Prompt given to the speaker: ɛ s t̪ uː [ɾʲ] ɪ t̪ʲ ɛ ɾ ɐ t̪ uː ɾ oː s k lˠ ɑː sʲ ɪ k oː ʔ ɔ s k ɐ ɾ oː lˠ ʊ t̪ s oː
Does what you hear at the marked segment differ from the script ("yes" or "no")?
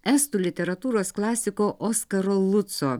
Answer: yes